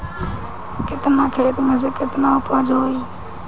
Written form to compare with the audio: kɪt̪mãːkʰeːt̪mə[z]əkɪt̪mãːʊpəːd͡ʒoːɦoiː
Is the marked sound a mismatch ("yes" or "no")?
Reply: no